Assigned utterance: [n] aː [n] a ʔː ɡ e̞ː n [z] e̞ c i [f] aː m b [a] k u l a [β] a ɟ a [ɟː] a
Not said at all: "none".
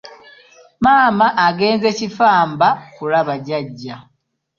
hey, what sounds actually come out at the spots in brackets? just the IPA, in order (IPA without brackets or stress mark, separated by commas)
m, m, z, f, a, β, ɟː